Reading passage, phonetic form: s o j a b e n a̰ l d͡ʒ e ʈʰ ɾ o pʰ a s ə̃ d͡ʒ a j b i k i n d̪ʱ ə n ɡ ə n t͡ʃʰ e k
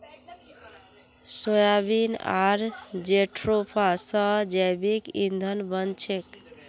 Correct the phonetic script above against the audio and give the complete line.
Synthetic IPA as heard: s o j a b i n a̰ ɾ d͡ʒ e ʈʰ ɾ o pʰ a s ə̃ d͡ʒ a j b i k i n d̪ʱ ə n b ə n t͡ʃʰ e k

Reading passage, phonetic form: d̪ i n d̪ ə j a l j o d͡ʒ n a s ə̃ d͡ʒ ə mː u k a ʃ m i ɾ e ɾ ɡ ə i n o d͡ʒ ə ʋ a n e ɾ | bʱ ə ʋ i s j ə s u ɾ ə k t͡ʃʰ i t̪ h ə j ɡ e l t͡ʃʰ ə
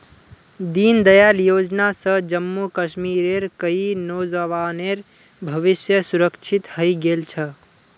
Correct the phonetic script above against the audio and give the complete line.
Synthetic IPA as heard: d̪ i n d̪ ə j a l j o d͡ʒ n a s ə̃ d͡ʒ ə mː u k ə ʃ m i ɾ e ɾ k ə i n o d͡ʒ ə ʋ a n e ɾ | bʱ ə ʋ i s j ə s u ɾ ə k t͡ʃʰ i t̪ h ə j ɡ e l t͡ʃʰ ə

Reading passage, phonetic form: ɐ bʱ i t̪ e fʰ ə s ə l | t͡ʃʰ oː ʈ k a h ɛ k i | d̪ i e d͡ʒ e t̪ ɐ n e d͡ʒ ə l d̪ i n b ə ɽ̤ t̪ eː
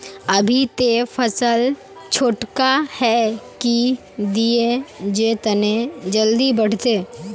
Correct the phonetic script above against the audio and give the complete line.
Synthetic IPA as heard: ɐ bʱ i t̪ e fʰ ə s ə l | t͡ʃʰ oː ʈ k a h ɛ k i | d̪ i e d͡ʒ e t̪ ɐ n e d͡ʒ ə l d̪ i b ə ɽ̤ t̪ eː

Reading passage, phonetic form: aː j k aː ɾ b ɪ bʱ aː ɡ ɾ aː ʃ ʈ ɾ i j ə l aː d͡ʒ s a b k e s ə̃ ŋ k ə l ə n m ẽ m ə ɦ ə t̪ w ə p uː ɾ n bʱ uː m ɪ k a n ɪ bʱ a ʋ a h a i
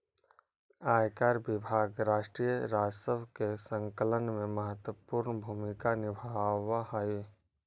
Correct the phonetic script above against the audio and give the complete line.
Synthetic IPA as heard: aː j k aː ɾ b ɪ bʱ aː ɡ ɾ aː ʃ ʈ ɾ i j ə ɾ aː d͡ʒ s ə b k e s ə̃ ŋ k ə l ə n m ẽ m ə ɦ ə t̪ w ə p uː ɾ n bʱ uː m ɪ k a n ɪ bʱ a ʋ a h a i

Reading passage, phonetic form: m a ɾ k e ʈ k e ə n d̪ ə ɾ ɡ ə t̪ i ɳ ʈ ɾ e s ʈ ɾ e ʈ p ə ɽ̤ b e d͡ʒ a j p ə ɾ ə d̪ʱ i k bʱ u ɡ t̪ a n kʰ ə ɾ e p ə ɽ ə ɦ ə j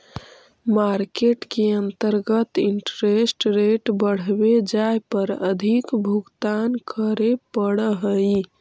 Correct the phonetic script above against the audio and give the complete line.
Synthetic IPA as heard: m a ɾ k e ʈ k e ə n t̪ ə ɾ ɡ ə t̪ i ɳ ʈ ɾ e s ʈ ɾ e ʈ b ə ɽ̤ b e d͡ʒ a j p ə ɾ ə d̪ʱ i k bʱ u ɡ t̪ a n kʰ ə ɾ e p ə ɽ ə ɦ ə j

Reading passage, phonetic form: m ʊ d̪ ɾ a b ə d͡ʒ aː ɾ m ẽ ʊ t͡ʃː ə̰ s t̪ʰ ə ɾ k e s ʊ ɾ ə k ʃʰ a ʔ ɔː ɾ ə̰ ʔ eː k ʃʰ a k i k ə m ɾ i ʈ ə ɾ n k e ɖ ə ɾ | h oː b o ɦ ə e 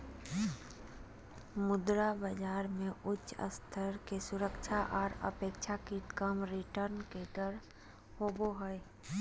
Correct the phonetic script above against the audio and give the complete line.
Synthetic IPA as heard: m ʊ d̪ ɾ a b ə d͡ʒ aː ɾ m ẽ ʊ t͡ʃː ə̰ s t̪ʰ ə ɾ k e s ʊ ɾ ə k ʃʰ a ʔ ɔː ɾ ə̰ p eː k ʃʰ a k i k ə m ɾ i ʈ ə ɾ n k e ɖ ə ɾ | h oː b o ɦ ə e

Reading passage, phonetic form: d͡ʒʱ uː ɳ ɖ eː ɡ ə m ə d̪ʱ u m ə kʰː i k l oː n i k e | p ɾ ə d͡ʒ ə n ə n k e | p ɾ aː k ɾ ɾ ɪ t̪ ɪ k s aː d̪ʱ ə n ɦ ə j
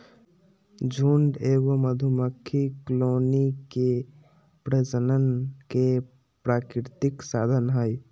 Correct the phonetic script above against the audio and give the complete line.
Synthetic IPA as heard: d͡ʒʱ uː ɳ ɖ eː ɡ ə m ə d̪ʱ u m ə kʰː i k l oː n i k e | p ɾ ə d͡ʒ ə n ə n k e | p ɾ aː k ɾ ɾ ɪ t̪ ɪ k s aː d̪ʱ ə n ɦ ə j

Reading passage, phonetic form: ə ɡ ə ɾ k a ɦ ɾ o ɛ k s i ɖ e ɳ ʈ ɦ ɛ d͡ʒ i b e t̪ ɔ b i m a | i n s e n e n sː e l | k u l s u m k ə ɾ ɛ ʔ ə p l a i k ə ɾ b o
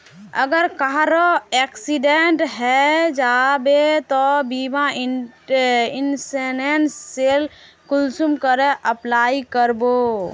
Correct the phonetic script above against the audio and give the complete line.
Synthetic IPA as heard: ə ɡ ə ɾ k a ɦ ɾ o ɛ k s i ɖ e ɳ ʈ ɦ ɛ d͡ʒ a b e t̪ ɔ b i m a | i n s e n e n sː e l | k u l s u m k ə ɾ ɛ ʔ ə p l a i k ə ɾ b o

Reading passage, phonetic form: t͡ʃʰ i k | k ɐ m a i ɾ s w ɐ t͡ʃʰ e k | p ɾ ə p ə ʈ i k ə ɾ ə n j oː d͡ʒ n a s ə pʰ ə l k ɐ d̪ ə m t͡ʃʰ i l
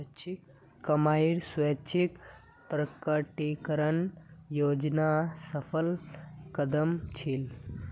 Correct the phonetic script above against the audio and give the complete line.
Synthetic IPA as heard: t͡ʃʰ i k | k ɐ m a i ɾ s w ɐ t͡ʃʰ i k | p ɾ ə k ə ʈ i k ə ɾ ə n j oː d͡ʒ n a s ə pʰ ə l k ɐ d̪ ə m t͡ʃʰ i l

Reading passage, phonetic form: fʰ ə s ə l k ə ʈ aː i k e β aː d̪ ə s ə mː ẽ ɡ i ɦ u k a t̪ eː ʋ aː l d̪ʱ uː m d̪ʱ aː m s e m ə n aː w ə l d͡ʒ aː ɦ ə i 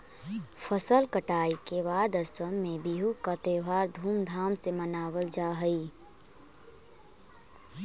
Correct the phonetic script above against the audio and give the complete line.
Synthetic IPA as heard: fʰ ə s ə l k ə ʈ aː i k e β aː d̪ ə s ə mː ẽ b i ɦ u k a t̪ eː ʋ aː ɾ d̪ʱ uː m d̪ʱ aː m s e m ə n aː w ə l d͡ʒ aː ɦ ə i

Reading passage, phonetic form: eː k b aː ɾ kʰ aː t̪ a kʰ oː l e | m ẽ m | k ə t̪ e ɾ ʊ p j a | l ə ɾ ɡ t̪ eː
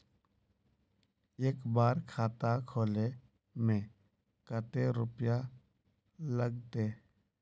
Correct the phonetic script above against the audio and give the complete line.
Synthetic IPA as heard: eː k b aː ɾ kʰ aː t̪ a kʰ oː l e | m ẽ | k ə t̪ e ɾ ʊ p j a | l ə ɡ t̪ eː

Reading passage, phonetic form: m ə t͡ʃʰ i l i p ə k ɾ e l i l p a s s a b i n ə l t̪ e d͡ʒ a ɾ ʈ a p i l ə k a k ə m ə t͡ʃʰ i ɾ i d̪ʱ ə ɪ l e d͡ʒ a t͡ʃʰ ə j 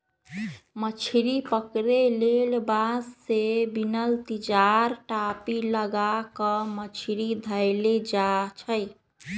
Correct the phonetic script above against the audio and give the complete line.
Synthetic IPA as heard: m ə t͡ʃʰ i ɾ i p ə k ɾ e l e l b a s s e b i n ə l t̪ i d͡ʒ a ɾ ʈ a p i l ə ɡ a k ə m ə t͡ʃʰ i ɾ i d̪ʱ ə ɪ l e d͡ʒ a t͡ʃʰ ə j

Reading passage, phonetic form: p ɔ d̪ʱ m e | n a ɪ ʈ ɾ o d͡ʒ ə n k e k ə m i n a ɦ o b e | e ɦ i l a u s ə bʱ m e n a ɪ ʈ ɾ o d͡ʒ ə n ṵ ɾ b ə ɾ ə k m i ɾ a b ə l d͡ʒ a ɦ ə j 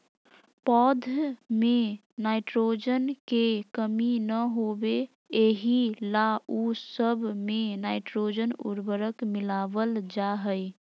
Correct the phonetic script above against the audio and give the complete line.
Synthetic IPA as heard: p ɔ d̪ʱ m e | n a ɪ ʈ ɾ o d͡ʒ ə n k e k ə m i n ə ɦ o b e | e ɦ i l a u s ə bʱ m e n a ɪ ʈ ɾ o d͡ʒ ə n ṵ ɾ b ə ɾ ə k m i l a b ə l d͡ʒ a ɦ ə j

